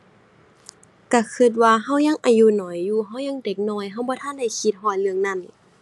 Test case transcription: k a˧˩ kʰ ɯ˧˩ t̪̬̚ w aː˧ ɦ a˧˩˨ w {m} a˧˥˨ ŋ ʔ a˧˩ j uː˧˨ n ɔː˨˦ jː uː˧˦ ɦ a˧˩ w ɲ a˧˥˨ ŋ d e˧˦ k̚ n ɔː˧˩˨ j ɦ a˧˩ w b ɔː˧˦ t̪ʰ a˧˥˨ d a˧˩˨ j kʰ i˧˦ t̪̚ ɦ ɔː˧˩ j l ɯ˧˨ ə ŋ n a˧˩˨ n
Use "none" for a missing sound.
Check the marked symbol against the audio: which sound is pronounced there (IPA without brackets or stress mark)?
ɲ